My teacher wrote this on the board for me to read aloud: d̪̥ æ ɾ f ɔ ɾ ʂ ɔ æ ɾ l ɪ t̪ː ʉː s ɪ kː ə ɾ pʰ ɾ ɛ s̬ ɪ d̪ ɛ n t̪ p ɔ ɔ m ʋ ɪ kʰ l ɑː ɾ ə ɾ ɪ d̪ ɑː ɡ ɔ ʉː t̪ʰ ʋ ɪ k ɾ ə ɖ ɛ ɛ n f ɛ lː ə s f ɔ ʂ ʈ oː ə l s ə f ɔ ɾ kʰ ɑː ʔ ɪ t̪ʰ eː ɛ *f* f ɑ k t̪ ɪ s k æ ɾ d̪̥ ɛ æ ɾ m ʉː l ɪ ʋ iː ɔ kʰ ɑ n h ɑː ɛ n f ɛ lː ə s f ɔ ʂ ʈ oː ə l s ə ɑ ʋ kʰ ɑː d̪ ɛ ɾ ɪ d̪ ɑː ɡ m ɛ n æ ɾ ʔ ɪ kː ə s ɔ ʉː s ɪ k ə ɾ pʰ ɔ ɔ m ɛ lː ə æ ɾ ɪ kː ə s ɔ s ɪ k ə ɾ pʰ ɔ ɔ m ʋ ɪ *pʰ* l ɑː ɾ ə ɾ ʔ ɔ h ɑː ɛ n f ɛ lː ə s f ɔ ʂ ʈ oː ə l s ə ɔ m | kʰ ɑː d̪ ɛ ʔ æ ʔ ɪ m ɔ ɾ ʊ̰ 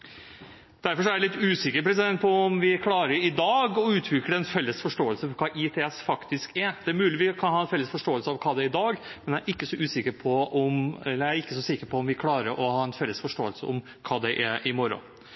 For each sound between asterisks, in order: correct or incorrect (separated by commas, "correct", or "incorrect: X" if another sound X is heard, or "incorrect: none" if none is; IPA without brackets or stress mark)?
incorrect: s, incorrect: kʰ